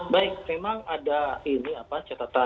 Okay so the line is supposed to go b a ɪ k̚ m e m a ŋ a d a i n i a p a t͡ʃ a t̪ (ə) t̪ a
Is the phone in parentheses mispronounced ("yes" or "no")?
yes